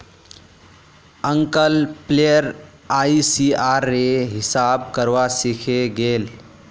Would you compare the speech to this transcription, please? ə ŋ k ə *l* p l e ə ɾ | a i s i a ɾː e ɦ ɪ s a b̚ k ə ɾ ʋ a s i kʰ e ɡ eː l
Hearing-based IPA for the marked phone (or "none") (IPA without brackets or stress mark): l